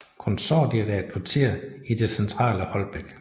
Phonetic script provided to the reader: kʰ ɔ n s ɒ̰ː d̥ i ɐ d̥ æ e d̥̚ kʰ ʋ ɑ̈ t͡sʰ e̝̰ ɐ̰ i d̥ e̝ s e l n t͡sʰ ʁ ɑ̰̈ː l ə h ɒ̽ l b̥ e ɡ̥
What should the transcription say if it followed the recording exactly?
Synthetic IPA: kʰ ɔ n s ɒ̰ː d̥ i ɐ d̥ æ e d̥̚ kʰ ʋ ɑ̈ t͡sʰ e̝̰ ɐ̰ i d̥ e̝ s e n t͡sʰ ʁ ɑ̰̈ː l ə h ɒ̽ l b̥ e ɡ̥

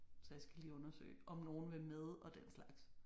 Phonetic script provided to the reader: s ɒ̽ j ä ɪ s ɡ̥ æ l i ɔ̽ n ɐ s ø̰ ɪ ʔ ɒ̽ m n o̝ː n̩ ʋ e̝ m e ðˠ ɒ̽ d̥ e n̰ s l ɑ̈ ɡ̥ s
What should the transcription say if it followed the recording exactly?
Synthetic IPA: s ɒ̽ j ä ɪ s ɡ̥ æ l iː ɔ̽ n ɐ s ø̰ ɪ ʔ ɒ̽ m n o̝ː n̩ ʋ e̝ m e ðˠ ɒ̽ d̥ e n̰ s l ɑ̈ ɡ̥ s

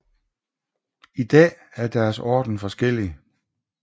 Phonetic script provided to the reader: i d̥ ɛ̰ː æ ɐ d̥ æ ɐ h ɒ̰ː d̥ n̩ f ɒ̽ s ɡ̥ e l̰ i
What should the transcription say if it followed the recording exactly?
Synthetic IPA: i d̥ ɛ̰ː æ ɐ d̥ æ ɐ s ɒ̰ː d̥ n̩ f ɒ̽ s ɡ̥ e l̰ i

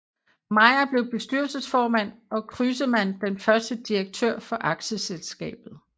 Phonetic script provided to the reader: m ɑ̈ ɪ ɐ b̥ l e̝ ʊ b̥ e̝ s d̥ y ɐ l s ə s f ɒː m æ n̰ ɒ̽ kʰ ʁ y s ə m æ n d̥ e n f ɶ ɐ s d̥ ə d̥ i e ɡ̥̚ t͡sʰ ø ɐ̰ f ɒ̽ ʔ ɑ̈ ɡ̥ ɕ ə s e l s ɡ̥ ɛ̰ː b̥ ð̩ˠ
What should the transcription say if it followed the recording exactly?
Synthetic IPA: m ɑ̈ ɪ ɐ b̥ l e̝ ʊ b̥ e̝ s d̥ y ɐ l s ə s f ɒː m æ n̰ ɒ̽ kʰ ʁ y s ə m æ n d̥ e n f ɶ ɐ s d̥ ə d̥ i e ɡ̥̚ t͡sʰ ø ɐ̰ f ɒ̽ ʔ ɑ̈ ɡ̥ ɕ ə s e l s ɡ̥ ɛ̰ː b̥ ð̩ˠ

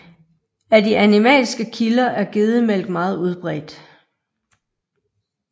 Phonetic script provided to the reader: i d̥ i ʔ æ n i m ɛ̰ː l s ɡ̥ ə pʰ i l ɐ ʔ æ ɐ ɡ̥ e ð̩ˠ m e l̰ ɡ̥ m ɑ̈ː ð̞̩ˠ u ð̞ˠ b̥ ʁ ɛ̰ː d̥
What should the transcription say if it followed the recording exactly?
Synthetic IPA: æ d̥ i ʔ æ n i m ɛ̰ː l s ɡ̥ ə kʰ i l ɐ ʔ æ ɐ ɡ̥ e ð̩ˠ m e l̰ ɡ̥ m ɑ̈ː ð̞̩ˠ u ð̞ˠ b̥ ʁ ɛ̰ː d̥

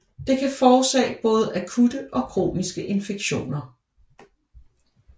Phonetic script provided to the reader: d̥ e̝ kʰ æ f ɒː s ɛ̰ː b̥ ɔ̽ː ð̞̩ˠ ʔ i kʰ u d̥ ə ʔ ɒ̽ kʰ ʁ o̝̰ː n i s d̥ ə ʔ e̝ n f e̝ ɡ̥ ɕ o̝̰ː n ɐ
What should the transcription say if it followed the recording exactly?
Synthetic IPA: d̥ e̝ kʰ æ f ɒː s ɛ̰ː b̥ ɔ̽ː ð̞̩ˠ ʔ æ kʰ u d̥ ə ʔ ɒ̽ kʰ ʁ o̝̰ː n i s ɡ̥ ə ʔ e̝ n f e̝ ɡ̥ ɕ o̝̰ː n ɐ

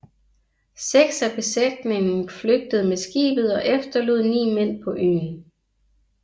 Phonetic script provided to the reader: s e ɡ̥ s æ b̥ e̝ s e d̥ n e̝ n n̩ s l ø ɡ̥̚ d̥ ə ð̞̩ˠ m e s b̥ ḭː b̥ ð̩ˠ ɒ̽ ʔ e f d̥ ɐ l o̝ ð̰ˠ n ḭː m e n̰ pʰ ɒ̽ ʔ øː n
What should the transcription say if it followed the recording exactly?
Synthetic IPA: s e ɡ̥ s æ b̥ e̝ s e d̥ n e̝ ŋ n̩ f l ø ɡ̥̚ d̥ ə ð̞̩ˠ m e s ɡ̥ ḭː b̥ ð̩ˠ ɒ̽ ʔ e f d̥ ɐ l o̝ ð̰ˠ n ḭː m e n̰ pʰ ɒ̽ ʔ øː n

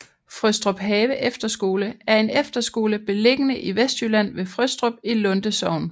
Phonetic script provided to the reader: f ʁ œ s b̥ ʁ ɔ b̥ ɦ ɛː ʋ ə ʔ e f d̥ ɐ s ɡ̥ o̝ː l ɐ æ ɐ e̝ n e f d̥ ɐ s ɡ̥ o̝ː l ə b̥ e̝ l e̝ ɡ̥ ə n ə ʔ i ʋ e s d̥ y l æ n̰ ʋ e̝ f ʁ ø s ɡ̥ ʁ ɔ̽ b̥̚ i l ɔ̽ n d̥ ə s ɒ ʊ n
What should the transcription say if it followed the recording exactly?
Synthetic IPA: f ʁ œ s d̥ ʁ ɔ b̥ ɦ ɛː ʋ ə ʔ e f d̥ ɐ s ɡ̥ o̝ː l ə æ ɐ e̝ n e f d̥ ɐ s ɡ̥ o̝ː l ə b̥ e̝ l e̝ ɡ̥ ə n ə ʔ i ʋ e s d̥ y l æ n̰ ʋ e̝ f ʁ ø s d̥ ʁ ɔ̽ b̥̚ i l ɔ̽ n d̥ ə s ɒ ʊ n

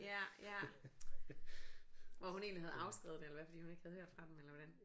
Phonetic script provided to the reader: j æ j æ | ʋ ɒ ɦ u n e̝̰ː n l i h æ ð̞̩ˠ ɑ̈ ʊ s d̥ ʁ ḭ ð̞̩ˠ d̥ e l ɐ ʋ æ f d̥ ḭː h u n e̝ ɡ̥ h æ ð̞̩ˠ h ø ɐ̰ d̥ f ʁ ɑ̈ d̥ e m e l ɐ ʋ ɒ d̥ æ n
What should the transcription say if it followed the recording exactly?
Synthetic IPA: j æ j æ | ʋ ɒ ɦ u n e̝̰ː n l i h æ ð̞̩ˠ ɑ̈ ʊ s ɡ̥ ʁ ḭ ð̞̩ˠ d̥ e l ɐ ʋ æ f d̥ ḭː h u n e̝ ɡ̥ h æ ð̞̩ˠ h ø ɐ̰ d̥ f ʁ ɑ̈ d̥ e m e l ɐ ʋ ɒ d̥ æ n

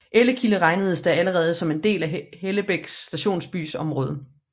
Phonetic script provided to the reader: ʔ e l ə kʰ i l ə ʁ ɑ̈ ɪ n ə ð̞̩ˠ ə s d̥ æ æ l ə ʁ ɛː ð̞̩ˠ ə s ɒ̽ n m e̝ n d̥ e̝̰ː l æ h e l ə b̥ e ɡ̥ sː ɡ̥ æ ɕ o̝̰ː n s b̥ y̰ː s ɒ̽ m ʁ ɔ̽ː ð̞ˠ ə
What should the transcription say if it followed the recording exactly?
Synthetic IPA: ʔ e l ə kʰ i l ə ʁ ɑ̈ ɪ n ə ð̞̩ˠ ə s d̥ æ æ l ə ʁ ɛː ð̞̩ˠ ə s ɒ̽ m e̝ n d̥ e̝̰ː l æ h e l ə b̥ e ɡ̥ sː d̥ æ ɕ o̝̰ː n s b̥ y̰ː s ɒ̽ m ʁ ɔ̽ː ð̞ˠ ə

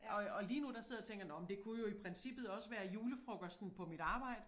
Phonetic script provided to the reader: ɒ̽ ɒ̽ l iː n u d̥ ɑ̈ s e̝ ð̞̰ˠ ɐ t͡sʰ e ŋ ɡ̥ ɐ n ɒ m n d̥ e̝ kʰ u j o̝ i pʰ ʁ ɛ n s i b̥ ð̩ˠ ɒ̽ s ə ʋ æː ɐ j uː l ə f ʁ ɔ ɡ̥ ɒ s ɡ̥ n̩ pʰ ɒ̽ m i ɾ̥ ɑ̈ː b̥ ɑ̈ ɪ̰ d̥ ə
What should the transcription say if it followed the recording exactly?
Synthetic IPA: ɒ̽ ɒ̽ l iː n u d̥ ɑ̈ s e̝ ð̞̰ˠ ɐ t͡sʰ e ŋ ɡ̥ ɐ n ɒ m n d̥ e̝ kʰ u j o̝ i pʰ ʁ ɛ n s i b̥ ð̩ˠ ɒ̽ s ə ʋ æː ɐ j uː l ə f ʁ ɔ ɡ̥ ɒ s d̥ n̩ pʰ ɒ̽ m i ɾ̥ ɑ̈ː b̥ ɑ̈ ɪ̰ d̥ ə

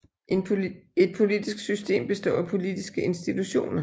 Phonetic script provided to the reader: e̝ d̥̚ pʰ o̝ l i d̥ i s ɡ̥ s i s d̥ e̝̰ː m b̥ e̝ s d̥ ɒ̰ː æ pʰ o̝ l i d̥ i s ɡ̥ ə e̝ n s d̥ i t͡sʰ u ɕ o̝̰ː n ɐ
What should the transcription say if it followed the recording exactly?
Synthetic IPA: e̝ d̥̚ pʰ o̝ l i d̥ i s ɡ̥ s y s d̥ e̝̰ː m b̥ e̝ s d̥ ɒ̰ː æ pʰ o̝ l i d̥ i s ɡ̥ ə e̝ n s d̥ i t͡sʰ u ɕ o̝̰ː n ɐ

